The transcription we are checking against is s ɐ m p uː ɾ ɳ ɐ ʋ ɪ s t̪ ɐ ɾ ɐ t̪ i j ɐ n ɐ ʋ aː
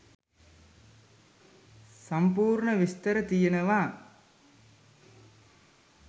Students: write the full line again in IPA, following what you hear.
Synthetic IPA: s ɐ m p uː ɾ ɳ ɐ ʋ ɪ s t̪ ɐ ɾ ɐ t̪ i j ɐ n ɐ ʋ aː